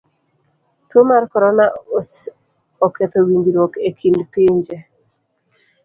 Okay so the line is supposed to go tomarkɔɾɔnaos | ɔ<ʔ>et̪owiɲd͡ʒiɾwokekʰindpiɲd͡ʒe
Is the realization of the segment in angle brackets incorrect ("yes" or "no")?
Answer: yes